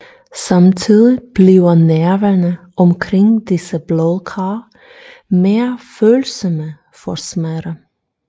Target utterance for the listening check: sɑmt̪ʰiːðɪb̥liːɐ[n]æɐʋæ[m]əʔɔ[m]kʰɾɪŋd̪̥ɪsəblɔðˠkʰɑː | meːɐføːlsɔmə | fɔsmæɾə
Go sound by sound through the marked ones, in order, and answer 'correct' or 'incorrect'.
correct, incorrect: n, correct

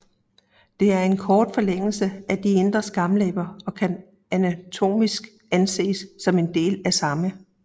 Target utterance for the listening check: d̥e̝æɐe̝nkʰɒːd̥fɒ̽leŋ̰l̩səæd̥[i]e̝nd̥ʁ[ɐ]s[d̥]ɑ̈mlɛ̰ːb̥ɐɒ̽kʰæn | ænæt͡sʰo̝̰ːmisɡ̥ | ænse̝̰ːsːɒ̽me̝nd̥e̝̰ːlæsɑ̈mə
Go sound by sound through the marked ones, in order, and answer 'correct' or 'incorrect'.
correct, correct, incorrect: ɡ̥

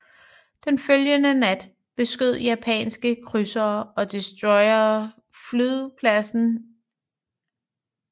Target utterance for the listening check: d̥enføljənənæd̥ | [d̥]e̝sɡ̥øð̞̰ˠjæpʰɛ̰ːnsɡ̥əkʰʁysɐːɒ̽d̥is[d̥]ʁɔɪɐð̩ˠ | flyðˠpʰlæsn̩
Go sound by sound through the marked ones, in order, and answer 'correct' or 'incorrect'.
incorrect: b̥, correct

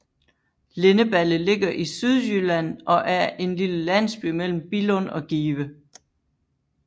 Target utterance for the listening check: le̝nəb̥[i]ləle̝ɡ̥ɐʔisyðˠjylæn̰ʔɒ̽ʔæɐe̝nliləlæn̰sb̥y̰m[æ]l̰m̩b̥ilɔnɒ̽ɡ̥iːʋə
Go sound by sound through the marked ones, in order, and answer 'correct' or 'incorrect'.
incorrect: æ, incorrect: e

